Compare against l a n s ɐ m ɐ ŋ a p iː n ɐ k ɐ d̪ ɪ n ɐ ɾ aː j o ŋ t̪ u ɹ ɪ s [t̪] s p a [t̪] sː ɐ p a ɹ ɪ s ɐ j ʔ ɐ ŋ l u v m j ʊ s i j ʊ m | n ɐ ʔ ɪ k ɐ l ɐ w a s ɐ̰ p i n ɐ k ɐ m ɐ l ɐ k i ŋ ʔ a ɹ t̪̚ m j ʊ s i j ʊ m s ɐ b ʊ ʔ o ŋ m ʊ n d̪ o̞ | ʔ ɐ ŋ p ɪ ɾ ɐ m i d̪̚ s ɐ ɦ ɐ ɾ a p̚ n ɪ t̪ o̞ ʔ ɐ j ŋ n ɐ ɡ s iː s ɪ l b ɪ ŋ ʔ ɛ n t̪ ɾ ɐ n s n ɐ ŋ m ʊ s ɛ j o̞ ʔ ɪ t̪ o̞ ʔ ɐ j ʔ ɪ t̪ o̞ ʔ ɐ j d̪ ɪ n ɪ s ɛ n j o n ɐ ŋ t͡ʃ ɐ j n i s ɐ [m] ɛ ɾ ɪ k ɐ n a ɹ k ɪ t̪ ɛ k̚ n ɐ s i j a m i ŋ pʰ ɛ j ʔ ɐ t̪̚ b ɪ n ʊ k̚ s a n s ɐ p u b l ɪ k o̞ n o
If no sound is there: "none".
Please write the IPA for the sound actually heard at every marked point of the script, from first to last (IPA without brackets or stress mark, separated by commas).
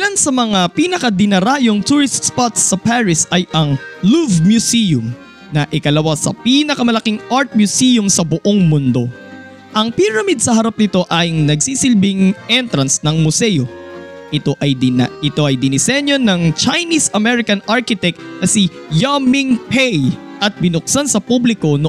t̪, t̪, m